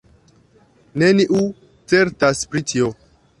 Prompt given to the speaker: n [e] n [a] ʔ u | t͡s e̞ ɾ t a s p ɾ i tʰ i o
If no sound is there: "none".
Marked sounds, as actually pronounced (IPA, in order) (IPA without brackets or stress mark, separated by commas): e, i